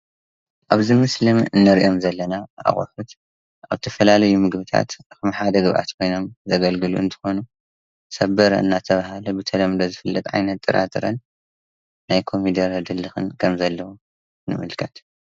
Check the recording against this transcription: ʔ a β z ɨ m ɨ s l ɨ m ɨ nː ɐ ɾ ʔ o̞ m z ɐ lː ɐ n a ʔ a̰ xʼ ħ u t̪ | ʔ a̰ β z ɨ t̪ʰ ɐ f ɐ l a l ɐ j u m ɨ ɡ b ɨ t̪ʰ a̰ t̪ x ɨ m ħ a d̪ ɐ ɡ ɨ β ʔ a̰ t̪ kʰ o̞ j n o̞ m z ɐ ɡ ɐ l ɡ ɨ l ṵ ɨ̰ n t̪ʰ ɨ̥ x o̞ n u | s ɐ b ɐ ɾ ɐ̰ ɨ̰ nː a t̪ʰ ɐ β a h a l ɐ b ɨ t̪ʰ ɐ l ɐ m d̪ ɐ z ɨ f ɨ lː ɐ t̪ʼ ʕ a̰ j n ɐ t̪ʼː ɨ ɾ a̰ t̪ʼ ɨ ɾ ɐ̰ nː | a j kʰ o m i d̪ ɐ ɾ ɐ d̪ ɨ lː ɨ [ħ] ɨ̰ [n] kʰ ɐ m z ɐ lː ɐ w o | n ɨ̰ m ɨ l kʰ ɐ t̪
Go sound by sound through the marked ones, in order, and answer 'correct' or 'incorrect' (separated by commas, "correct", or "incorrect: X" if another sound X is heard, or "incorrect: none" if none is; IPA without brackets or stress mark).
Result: incorrect: x, correct